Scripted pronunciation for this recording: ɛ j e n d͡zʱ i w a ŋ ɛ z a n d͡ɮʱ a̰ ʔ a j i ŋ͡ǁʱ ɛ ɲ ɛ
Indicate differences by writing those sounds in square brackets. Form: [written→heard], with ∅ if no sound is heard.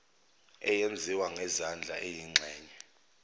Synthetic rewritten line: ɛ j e n d͡zʱ i w a ŋ ɛ z a n d͡ɮʱ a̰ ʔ [a→e] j i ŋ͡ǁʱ [ɛ→ɛː] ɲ ɛ